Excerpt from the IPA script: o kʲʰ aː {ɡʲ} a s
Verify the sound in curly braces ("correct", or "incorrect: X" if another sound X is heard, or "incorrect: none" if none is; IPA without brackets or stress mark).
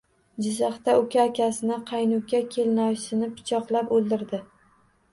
incorrect: kʲ